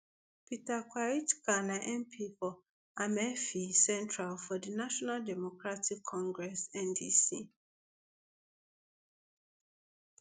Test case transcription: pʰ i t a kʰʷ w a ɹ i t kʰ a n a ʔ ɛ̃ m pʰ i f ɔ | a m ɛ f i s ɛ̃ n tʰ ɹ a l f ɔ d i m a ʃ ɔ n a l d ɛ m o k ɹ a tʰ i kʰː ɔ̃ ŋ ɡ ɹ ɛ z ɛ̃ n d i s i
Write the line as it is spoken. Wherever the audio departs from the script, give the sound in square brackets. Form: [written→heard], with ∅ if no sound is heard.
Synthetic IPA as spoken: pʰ i t a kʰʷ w a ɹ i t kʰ a n a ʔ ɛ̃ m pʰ i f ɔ | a m ɛ f i s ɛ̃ n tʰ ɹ a l f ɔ d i [m→n] a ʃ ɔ n a l d ɛ m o k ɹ a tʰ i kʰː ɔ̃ ŋ ɡ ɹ ɛ [z→s] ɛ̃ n d i s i